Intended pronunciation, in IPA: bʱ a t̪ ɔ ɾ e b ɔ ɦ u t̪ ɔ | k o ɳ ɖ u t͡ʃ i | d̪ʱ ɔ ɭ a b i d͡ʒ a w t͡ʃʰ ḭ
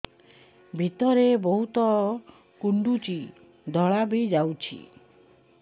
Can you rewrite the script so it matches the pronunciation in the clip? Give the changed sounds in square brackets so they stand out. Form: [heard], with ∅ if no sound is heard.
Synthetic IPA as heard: bʱ [i] t̪ ɔ ɾ e b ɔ ɦ u t̪ ɔ | k [u] ɳ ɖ u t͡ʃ i | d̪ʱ ɔ ɭ a b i d͡ʒ a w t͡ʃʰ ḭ